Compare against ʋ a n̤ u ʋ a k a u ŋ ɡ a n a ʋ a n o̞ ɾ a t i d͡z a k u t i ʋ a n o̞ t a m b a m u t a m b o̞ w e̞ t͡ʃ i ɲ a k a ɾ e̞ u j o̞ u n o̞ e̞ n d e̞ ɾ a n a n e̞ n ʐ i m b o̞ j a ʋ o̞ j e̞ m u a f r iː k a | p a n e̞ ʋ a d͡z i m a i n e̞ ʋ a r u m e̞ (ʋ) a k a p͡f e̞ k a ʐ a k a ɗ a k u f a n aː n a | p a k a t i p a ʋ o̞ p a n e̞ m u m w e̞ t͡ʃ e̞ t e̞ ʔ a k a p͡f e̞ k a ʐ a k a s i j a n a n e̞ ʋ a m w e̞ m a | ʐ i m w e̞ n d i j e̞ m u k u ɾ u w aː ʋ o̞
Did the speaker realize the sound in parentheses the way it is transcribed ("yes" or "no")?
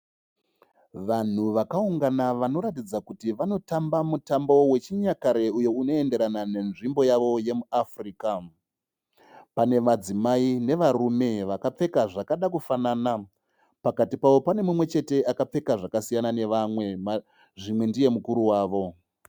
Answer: yes